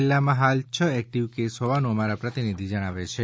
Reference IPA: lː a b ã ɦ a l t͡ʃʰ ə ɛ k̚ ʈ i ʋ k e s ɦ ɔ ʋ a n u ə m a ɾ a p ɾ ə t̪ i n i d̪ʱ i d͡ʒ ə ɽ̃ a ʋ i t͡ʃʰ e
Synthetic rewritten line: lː a m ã ɦ a l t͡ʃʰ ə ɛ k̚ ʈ i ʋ k e s ɦ ɔ ʋ a n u ə m a ɾ a p ɾ ə t̪ i n i d̪ʱ i d͡ʒ ə ɽ̃ a ʋ e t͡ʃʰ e